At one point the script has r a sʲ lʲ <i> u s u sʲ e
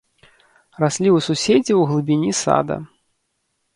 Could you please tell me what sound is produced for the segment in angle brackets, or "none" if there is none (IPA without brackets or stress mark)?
i